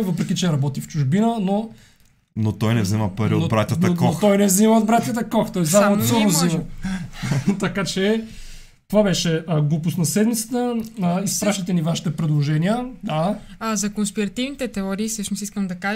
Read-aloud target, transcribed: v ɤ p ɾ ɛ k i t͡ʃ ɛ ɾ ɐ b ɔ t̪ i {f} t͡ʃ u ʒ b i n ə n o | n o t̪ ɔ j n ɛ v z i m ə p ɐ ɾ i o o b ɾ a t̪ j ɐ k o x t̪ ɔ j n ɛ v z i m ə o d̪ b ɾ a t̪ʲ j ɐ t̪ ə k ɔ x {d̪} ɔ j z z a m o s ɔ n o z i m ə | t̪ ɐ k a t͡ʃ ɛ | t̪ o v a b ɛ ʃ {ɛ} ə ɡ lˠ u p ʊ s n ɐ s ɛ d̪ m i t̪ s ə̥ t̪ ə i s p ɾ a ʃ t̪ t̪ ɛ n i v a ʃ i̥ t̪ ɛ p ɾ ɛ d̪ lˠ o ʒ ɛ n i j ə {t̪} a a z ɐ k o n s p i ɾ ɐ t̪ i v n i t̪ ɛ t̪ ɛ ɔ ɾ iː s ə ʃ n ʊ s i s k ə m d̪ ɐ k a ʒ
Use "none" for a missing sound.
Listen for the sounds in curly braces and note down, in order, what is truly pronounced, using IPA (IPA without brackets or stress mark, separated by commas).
f, t̪, ɛ, d̪